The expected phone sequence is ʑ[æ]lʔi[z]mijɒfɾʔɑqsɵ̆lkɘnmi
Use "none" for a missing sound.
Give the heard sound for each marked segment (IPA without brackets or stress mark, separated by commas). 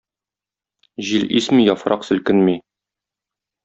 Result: i, s